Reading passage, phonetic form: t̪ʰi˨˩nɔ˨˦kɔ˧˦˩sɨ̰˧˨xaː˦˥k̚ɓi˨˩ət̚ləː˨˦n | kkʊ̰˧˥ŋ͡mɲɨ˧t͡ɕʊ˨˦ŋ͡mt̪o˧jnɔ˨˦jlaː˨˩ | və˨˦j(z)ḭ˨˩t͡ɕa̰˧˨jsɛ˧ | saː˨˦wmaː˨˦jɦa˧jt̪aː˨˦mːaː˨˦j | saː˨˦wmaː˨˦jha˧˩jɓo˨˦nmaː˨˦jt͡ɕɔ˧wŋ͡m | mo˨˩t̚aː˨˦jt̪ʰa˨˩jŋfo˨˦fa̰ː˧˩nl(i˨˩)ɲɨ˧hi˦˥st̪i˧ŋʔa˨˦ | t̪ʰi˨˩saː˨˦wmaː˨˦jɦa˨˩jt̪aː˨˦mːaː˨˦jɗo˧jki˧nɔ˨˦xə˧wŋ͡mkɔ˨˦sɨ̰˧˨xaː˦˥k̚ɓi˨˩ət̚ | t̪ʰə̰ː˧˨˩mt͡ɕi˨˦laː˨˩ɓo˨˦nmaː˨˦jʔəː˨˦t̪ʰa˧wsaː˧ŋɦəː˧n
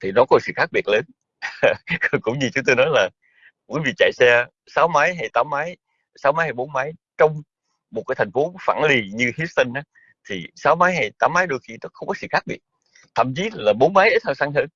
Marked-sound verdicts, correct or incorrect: incorrect: v, correct

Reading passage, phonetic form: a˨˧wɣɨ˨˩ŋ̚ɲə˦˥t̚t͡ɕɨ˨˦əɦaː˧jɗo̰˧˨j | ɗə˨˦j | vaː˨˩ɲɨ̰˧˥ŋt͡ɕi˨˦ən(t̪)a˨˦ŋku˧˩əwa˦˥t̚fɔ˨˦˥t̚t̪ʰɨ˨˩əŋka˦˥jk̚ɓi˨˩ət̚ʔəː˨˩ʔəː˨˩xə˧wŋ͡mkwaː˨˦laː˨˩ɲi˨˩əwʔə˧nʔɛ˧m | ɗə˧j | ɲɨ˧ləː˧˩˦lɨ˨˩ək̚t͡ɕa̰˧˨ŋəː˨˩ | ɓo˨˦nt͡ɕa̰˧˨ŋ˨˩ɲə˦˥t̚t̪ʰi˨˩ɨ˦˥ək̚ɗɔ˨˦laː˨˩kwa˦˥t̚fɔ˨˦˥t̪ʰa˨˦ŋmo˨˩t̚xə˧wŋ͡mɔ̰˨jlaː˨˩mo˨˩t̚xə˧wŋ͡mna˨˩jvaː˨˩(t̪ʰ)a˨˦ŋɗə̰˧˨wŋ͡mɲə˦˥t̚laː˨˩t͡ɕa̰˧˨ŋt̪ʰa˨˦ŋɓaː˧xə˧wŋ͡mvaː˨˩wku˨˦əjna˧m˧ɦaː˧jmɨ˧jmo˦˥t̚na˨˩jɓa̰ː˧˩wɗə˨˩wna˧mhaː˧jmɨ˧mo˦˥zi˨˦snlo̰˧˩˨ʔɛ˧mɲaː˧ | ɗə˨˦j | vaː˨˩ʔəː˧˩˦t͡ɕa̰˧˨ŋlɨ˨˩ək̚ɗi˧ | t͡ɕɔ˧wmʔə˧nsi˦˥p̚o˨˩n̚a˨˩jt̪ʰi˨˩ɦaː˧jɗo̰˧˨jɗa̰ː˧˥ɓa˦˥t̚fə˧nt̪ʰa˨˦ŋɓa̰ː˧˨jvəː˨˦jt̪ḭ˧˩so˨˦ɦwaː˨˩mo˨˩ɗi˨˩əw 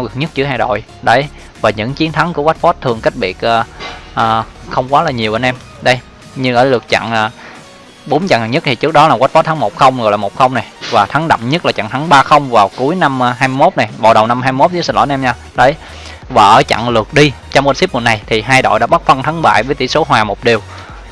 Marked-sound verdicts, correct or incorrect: incorrect: t̪ʰ, correct

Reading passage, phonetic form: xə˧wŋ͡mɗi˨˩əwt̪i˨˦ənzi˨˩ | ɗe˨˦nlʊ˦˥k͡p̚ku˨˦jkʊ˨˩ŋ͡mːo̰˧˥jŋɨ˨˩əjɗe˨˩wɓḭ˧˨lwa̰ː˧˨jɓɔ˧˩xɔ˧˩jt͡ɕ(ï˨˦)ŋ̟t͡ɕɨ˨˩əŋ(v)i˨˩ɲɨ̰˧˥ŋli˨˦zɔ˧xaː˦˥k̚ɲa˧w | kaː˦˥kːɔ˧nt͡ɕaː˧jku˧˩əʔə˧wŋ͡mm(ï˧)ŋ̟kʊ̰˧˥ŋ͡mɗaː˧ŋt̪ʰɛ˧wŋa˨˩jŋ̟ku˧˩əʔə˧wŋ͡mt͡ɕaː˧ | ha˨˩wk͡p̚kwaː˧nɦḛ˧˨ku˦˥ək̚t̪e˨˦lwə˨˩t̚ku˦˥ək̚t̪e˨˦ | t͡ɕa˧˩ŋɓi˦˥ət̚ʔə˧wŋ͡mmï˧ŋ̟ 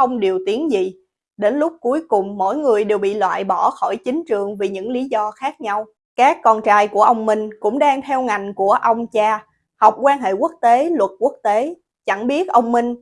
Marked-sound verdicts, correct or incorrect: correct, correct, correct

